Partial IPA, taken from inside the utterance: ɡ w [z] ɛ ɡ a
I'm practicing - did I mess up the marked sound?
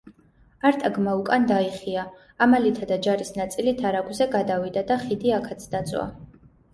no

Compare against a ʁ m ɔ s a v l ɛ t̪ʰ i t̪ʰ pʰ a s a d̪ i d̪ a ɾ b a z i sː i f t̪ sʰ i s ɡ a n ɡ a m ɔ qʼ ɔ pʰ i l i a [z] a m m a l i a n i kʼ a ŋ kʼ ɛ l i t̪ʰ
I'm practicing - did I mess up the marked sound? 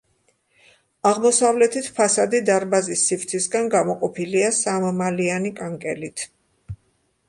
yes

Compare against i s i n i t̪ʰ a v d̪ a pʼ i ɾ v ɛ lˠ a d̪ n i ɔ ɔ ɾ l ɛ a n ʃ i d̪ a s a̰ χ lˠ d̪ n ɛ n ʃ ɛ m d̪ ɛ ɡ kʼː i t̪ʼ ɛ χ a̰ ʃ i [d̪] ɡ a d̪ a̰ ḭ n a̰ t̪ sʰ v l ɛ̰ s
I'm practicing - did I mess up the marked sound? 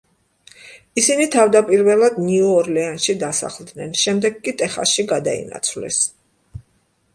yes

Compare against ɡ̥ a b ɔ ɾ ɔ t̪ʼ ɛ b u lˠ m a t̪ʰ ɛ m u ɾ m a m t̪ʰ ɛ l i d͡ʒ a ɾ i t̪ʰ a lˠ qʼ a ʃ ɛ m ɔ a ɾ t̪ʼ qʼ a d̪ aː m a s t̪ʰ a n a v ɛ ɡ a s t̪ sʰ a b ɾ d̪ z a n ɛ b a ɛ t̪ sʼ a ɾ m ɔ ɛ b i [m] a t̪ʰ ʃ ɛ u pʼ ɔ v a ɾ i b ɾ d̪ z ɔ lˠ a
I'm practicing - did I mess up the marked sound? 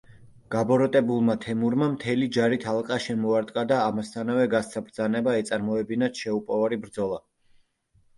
yes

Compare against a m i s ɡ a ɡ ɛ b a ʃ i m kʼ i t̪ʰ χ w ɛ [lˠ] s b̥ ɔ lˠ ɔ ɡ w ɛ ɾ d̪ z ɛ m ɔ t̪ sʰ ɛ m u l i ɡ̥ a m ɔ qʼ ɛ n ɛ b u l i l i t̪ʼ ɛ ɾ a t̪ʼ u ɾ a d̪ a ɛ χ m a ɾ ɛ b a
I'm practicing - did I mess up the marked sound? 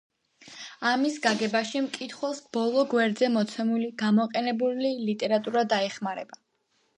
no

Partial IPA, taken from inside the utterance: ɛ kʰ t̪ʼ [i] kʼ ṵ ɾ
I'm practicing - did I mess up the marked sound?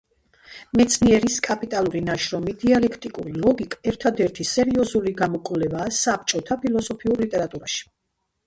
no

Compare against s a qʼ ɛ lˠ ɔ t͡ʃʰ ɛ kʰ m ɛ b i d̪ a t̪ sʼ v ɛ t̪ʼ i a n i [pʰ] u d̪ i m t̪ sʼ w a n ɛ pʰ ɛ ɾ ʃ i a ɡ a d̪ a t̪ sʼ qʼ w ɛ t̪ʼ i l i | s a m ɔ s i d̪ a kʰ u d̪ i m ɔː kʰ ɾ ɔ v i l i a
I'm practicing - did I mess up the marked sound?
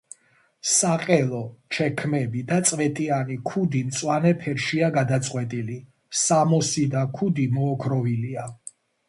yes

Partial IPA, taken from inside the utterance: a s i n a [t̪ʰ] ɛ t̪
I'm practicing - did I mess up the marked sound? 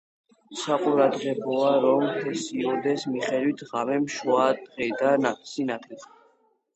no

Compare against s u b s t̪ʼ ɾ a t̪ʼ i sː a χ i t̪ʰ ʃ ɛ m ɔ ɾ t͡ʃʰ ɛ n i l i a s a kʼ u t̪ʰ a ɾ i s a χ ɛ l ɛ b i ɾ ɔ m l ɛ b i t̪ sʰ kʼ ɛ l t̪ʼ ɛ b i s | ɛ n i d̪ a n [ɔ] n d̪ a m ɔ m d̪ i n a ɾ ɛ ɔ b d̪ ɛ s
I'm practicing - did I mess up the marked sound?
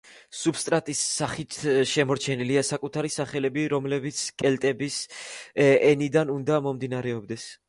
yes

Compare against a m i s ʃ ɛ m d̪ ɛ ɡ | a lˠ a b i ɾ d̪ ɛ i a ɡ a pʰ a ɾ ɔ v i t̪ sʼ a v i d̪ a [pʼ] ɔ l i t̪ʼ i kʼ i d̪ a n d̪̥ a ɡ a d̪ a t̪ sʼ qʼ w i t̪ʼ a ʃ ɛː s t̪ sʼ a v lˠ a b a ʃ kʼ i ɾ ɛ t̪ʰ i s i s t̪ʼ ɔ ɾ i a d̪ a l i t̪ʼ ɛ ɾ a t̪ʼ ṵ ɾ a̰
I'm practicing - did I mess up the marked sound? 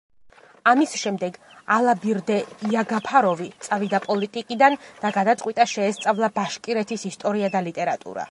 no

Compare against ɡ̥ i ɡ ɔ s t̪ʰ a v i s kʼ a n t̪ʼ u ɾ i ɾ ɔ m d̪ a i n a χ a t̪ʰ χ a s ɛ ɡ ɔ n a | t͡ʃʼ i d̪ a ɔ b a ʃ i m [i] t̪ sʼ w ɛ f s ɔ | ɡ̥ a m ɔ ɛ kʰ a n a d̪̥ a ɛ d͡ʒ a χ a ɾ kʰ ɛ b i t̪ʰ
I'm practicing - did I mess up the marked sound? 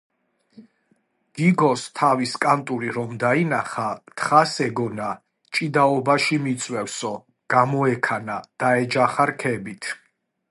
no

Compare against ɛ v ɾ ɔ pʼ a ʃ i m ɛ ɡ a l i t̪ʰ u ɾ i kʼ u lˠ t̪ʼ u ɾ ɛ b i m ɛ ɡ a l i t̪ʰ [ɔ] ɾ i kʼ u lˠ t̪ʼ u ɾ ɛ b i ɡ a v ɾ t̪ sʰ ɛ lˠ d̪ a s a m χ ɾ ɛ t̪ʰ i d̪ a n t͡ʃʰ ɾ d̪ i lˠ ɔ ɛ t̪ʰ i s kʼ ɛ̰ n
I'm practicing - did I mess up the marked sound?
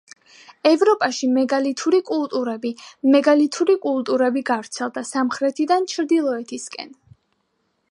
yes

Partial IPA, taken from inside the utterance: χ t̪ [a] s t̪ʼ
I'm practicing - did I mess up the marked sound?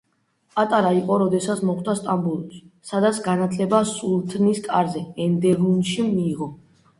no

